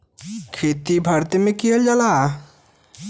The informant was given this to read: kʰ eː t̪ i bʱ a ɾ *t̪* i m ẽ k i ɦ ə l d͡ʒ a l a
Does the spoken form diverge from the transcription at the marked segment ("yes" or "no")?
no